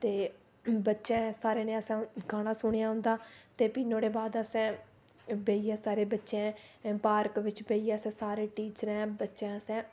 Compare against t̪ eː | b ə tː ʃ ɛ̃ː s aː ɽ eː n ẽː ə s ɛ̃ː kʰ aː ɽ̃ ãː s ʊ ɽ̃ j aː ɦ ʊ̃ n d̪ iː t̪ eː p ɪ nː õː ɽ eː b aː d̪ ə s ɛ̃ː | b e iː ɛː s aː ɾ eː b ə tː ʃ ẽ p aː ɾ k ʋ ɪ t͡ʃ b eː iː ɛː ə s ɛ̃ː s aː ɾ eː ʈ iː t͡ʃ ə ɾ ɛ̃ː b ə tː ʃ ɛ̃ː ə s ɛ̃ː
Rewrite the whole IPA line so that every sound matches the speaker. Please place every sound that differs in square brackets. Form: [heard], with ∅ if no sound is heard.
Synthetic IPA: t̪ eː | b ə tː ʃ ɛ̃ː s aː [ɾ] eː n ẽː ə s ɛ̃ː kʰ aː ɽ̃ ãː s ʊ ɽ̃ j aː ɦ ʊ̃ n d̪ [aː] t̪ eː p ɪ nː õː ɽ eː b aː d̪ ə s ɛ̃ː | b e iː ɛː s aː ɾ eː b ə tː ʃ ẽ p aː ɾ k ʋ ɪ t͡ʃ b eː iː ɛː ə s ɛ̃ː s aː ɾ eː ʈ iː t͡ʃ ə ɾ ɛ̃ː b ə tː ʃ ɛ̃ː ə s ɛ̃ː